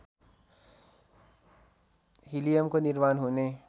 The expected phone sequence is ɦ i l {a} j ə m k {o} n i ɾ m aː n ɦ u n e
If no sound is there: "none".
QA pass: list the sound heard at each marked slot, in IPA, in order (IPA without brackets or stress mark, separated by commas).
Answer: i, o